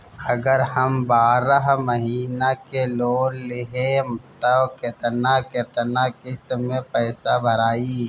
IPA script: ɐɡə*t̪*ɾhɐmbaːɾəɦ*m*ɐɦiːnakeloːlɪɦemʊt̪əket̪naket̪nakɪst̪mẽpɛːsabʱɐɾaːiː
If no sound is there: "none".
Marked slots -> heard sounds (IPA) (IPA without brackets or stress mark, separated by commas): none, m